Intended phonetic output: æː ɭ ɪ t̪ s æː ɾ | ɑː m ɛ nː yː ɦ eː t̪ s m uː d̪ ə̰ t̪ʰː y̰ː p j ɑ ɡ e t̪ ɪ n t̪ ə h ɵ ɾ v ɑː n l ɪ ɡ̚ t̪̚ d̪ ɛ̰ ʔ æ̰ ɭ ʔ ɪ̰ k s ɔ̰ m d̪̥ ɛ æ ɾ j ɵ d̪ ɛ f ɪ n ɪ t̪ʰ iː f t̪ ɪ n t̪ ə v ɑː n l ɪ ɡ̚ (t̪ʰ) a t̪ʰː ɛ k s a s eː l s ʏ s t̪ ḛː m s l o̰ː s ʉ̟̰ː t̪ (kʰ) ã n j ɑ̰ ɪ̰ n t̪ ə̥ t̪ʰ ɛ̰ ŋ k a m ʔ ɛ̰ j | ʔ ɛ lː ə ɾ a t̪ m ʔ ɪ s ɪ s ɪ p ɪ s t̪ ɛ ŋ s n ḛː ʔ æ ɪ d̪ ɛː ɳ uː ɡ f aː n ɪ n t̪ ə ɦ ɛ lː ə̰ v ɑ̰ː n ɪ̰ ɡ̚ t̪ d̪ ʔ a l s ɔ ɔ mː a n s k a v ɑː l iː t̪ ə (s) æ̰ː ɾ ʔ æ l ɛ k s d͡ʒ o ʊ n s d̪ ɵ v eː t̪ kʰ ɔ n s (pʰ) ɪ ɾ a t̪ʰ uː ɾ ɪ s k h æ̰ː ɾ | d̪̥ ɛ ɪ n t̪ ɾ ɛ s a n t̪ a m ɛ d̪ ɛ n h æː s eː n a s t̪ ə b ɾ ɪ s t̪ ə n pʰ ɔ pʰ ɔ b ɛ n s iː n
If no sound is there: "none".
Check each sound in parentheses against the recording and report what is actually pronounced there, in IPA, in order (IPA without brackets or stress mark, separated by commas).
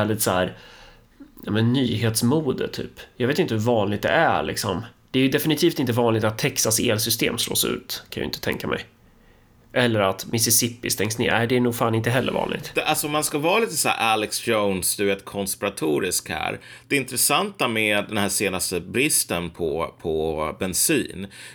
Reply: t̪, kʰ, s, p